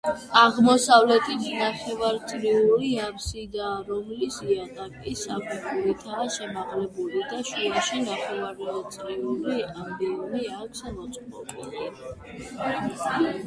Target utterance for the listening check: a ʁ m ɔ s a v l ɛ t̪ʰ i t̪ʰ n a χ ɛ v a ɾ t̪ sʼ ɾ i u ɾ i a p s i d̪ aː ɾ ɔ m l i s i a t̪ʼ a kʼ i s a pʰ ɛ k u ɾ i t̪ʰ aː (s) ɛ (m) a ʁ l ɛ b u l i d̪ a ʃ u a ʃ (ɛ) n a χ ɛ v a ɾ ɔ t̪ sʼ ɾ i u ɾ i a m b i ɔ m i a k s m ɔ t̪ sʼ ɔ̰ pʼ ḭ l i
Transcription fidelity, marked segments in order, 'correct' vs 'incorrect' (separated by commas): incorrect, correct, incorrect